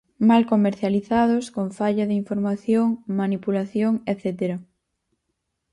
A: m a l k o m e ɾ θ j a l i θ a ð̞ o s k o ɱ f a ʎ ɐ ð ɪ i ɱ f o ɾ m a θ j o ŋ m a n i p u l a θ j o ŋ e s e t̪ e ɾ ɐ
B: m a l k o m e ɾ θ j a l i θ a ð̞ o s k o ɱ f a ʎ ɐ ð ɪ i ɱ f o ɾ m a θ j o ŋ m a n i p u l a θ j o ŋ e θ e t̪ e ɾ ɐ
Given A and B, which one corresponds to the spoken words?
B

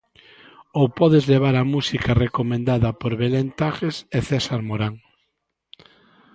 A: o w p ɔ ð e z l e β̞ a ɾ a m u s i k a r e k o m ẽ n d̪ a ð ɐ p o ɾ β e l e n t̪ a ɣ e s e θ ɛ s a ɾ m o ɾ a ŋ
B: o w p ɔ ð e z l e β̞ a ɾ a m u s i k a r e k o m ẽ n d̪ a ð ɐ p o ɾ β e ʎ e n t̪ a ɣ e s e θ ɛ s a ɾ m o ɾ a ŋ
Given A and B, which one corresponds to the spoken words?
A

